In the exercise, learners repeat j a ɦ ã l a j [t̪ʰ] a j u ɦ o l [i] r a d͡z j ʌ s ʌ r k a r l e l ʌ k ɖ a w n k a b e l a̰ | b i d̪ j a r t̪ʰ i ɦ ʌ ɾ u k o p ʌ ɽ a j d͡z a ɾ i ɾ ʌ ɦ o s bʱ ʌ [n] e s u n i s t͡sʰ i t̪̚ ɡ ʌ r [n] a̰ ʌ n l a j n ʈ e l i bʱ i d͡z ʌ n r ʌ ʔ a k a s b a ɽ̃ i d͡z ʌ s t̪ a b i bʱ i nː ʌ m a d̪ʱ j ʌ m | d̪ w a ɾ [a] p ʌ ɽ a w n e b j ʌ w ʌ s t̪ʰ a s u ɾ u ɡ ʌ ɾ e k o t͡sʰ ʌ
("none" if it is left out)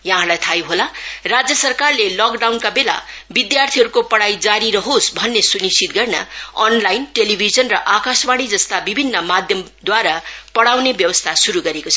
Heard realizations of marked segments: t̪ʰ, a, nː, n, a

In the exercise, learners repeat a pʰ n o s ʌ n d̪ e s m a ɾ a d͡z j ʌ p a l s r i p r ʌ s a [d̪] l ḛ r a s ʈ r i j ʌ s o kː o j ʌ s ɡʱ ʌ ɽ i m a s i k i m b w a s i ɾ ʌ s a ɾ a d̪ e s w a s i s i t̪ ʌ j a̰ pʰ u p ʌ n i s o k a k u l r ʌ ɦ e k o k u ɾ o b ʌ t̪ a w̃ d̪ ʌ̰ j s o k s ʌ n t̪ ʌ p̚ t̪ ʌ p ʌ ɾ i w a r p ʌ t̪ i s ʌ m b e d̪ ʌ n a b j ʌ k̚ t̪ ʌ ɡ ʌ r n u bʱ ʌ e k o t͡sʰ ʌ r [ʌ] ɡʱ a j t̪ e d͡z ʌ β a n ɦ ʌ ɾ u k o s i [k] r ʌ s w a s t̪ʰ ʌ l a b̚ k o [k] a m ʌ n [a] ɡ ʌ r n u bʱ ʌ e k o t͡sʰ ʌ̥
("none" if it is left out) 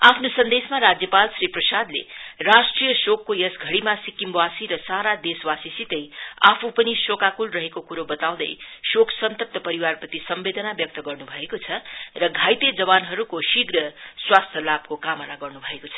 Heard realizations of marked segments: d̪, ʌ, ɡ, k, a

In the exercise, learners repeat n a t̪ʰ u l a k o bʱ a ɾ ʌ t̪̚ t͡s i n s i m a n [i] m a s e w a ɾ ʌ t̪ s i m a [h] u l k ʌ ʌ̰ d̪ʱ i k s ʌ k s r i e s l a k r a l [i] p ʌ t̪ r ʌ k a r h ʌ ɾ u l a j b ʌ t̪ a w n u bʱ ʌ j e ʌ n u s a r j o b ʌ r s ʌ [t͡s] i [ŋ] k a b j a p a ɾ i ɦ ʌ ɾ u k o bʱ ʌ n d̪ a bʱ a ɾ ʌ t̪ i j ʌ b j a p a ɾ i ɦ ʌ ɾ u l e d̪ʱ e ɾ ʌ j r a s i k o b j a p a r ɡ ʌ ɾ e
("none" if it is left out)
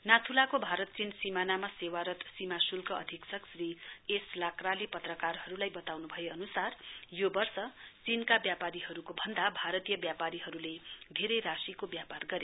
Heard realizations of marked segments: a, s, e, t͡s, n

